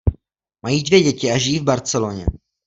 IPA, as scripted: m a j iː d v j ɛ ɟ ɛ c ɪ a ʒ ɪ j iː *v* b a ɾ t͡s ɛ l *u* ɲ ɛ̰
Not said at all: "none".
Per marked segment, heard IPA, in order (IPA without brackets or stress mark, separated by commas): v, o